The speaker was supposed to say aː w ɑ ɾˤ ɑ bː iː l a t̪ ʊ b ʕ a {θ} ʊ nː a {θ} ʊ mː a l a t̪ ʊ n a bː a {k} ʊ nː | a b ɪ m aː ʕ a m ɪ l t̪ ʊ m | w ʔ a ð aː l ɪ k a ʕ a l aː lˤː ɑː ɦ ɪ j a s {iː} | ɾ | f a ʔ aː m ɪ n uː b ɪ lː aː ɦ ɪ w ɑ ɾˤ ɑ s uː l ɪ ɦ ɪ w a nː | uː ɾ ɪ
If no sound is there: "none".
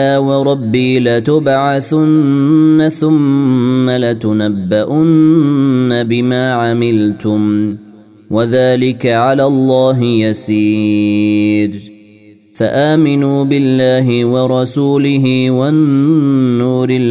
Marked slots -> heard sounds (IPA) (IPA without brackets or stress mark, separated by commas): θ, θ, ʔ, iː